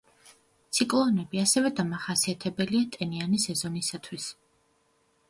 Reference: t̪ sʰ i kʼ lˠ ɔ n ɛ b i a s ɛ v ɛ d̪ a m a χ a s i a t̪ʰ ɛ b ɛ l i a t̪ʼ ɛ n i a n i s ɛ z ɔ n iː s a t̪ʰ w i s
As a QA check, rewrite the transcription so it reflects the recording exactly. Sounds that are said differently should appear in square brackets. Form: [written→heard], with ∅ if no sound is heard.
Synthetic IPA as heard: t̪ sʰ i kʼ lˠ ɔ n ɛ b i a s ɛ v ɛ d̪ a m a χ a s i a t̪ʰ ɛ b ɛ l i a t̪ʼ ɛ n i a n i s ɛ z ɔ n [iː→i] s a t̪ʰ w i s